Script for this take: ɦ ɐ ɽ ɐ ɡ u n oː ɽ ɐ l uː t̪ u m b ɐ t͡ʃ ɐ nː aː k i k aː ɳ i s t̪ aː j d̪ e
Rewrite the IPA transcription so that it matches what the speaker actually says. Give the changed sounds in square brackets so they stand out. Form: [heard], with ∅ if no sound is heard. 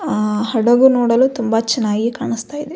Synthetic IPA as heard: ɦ ɐ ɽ ɐ ɡ u n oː ɽ ɐ l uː t̪ u m b ɐ t͡ʃ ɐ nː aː [ɡ] i k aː ɳ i s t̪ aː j d̪ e